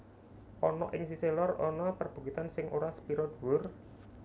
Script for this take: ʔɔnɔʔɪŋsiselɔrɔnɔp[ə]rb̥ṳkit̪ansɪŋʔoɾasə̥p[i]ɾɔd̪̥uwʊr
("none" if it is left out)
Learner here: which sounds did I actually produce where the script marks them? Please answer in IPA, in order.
ə, i

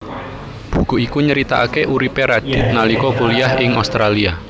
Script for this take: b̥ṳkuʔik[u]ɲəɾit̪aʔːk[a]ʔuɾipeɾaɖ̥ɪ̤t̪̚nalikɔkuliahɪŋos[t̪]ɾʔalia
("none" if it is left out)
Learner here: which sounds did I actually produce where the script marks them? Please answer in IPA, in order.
u, e, t̪

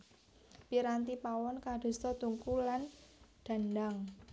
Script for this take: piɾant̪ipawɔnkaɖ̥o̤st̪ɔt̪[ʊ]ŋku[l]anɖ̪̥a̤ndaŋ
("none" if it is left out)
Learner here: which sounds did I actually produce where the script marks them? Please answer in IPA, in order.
u, l

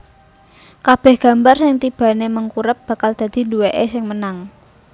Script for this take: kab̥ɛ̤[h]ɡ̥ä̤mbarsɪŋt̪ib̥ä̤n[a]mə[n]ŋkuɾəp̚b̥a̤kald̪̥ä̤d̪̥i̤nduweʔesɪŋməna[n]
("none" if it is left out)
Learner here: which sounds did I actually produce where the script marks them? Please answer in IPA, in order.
h, e, none, ŋ

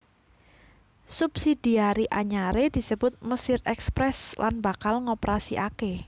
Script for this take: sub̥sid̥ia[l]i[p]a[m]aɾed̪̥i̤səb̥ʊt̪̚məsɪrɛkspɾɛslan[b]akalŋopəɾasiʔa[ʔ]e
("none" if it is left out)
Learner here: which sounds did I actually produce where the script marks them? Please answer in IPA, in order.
ɾ, ʔ, ɲ, b, k

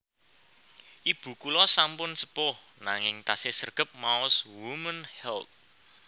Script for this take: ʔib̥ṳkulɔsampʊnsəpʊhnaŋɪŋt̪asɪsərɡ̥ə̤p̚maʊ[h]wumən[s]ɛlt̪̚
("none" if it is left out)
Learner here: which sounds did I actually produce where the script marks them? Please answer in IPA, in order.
s, h

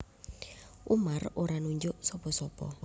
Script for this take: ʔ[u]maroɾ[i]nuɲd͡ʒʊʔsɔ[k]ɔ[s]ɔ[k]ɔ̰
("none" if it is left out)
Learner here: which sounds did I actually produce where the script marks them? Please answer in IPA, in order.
u, a, p, s, p

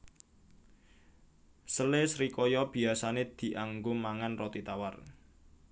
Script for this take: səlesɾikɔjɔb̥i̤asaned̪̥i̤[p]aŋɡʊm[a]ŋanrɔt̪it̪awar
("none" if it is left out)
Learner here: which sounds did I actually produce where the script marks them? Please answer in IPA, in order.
ʔ, a

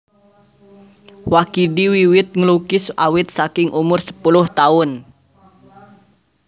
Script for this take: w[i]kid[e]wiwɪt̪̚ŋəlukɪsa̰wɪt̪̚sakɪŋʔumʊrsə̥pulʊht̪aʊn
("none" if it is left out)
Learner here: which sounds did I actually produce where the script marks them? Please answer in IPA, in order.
a, i

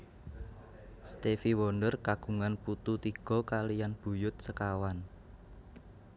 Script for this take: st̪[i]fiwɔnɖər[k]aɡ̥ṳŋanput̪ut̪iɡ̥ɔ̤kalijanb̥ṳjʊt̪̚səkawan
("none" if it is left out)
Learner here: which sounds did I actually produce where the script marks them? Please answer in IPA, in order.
e, k

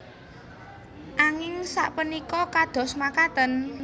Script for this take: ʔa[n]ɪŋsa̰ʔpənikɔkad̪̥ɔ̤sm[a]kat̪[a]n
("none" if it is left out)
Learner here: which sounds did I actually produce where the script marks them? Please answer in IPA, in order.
ŋ, a, ə

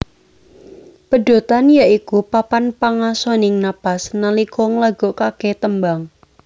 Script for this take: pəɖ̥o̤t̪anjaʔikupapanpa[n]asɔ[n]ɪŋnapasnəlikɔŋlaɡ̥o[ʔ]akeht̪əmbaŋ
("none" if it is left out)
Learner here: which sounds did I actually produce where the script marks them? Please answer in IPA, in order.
ŋ, n, k

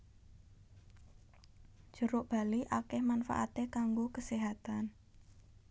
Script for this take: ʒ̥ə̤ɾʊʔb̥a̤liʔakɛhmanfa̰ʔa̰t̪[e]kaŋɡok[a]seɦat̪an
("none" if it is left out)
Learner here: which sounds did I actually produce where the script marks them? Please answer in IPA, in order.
e, ə

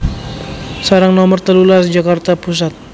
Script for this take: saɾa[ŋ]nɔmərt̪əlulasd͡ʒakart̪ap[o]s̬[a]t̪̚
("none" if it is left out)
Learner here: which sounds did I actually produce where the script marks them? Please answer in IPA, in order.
ŋ, u, a

